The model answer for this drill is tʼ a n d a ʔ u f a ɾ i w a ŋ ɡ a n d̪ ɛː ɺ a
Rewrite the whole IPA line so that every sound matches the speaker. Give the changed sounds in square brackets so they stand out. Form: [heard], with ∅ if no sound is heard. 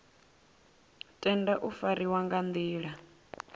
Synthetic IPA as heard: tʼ [ɛ] n d a ʔ u f a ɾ i w a ŋ ɡ a n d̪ [iː] ɺ a